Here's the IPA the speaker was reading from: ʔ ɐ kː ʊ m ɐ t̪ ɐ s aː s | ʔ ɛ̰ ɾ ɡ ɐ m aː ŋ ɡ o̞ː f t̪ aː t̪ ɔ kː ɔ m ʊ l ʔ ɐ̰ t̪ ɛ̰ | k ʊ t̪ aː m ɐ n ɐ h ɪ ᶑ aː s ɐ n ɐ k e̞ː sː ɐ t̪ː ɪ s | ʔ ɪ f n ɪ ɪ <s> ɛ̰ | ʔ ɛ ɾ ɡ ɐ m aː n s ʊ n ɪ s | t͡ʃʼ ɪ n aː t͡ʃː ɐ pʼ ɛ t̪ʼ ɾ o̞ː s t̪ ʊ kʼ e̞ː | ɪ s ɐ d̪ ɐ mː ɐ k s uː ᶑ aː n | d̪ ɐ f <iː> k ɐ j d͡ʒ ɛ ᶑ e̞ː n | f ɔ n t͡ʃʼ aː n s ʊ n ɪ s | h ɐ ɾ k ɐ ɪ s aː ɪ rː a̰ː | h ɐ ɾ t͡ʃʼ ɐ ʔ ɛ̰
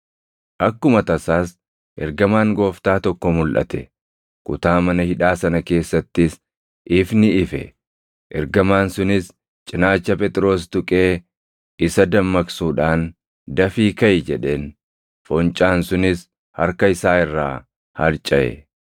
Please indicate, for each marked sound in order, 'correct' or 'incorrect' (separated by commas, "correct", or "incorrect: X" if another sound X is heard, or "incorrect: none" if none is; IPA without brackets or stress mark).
incorrect: f, correct